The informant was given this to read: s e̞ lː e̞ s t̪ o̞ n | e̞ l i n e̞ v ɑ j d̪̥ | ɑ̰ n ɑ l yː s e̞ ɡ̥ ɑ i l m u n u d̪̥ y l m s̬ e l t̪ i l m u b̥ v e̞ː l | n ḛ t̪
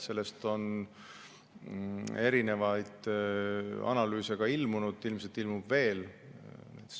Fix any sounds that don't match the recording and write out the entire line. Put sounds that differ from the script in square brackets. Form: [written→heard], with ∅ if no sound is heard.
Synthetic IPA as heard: s e̞ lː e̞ s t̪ o̞ n | e̞ [l→ɾ] i n e̞ v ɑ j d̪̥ | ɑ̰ n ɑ l yː s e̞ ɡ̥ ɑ i l m u n u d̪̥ [y→i] l m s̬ e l t̪ i l m u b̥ v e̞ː l | n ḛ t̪